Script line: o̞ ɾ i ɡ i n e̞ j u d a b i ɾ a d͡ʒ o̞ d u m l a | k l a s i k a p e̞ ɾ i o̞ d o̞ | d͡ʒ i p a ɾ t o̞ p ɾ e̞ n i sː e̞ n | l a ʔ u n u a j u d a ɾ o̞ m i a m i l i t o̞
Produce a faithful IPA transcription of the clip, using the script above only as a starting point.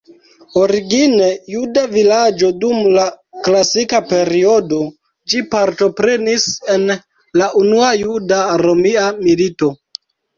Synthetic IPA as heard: o̞ ɾ i ɡ i n e̞ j u d a v i l a d͡ʒ o̞ d u m l a | k l a s i k a p e̞ ɾ i o̞ d o̞ | d͡ʒ i p a ɾ t o̞ p ɾ e̞ n i s e̞ n | l a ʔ u n u a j u d a ɾ o̞ m i a m i l i t o̞